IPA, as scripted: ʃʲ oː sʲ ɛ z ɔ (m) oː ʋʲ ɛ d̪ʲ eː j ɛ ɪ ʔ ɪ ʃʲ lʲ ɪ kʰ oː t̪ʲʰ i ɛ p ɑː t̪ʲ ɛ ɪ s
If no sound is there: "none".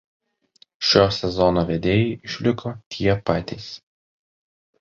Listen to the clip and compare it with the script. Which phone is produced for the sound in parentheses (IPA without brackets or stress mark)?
n